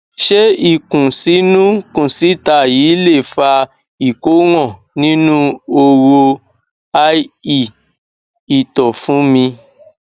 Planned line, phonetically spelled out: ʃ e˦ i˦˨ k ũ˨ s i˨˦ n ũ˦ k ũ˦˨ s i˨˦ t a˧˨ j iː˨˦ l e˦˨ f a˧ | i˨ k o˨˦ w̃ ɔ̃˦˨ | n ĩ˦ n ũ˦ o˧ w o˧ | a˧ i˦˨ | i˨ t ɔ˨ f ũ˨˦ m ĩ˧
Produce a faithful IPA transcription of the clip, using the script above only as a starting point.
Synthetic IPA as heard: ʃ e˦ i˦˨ k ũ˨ s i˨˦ n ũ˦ k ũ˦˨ s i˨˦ t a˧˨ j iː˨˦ l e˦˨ f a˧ | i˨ k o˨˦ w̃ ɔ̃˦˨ | n ĩ˦ n ũ˦ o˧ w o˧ | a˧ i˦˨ | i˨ t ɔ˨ f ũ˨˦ m ĩ˧